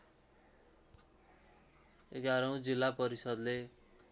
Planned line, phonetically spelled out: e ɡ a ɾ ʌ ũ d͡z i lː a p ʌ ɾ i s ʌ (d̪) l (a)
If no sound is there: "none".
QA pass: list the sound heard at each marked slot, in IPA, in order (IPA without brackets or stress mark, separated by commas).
d̪, e